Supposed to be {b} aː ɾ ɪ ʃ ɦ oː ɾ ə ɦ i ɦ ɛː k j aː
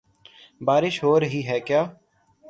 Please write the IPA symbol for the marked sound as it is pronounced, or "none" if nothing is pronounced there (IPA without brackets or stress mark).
b